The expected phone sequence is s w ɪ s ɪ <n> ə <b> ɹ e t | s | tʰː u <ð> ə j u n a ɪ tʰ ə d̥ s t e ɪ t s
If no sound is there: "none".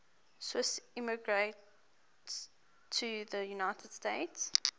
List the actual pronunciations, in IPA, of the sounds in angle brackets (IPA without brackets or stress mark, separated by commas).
m, ɡ, ð